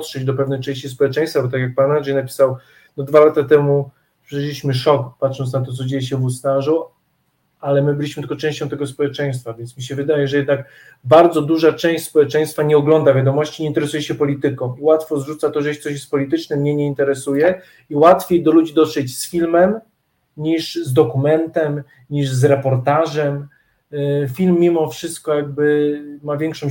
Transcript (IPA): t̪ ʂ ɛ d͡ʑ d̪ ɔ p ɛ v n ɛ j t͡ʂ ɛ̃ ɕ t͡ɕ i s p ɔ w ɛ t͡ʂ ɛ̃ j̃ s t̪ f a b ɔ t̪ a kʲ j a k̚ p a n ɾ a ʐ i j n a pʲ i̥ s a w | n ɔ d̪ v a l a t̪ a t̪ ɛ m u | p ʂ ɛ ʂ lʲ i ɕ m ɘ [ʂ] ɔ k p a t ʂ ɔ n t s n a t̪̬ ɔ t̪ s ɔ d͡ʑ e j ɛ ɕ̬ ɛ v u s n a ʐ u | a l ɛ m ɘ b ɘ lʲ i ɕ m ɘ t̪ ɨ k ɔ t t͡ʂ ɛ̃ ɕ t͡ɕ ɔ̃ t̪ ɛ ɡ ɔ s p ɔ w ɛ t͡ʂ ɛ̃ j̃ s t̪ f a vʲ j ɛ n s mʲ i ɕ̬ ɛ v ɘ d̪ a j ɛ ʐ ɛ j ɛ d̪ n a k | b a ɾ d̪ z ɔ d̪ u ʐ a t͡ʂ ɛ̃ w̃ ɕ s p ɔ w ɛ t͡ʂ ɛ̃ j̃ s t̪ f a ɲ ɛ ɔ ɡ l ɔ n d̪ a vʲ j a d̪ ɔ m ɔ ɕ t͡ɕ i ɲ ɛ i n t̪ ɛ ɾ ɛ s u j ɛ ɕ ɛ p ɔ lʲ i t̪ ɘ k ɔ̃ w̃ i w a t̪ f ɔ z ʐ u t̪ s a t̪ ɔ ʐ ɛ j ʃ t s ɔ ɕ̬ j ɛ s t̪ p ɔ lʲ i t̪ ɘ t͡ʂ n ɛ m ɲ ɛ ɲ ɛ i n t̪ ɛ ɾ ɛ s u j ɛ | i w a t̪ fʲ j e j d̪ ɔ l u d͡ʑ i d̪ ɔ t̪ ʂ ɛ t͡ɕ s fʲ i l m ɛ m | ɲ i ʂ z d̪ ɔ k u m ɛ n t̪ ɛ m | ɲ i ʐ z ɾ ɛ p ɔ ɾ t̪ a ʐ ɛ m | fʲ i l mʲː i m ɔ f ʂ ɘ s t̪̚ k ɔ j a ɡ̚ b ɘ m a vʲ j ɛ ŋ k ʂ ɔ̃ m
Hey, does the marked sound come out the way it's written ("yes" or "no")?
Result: yes